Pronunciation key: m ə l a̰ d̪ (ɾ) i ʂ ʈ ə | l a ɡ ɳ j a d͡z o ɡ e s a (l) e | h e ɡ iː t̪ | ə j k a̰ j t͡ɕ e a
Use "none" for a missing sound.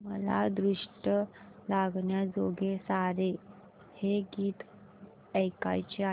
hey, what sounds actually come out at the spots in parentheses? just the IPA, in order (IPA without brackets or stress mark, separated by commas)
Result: ɾ, ɾ